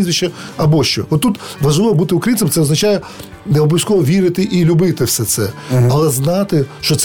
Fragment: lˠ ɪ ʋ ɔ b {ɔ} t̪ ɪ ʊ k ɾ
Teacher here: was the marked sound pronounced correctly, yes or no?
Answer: no